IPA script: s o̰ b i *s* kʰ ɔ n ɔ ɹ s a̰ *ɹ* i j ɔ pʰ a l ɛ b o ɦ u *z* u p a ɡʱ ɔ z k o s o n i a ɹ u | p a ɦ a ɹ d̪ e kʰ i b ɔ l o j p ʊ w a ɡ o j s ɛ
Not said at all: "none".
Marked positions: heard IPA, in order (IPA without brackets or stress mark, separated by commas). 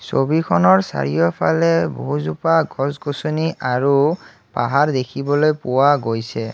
none, ɹ, z